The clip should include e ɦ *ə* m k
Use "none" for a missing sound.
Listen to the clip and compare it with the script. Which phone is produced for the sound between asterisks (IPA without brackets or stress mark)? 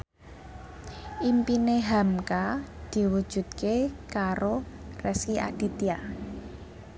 a